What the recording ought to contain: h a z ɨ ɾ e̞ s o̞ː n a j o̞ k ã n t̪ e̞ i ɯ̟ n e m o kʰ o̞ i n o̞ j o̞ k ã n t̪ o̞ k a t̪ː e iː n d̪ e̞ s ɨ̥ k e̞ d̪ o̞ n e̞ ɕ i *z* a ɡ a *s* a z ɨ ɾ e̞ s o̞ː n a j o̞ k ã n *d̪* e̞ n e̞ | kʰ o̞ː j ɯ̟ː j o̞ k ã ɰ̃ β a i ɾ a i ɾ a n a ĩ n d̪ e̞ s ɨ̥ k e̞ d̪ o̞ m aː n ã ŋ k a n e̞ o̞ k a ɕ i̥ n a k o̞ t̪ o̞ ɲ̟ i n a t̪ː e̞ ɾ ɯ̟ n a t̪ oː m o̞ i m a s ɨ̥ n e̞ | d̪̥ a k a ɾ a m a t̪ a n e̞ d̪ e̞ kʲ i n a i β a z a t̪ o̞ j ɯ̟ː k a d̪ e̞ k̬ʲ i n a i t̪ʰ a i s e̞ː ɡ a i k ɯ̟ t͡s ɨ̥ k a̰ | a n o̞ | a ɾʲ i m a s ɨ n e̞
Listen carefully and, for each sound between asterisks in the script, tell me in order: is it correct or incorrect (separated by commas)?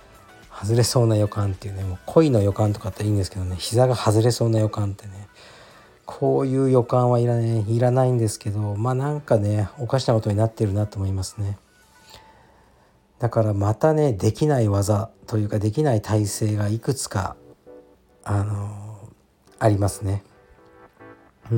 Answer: correct, incorrect, incorrect